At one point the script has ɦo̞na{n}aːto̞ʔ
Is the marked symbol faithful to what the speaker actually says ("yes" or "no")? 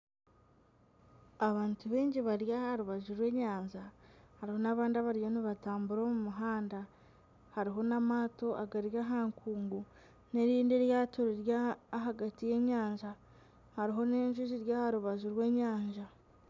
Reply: no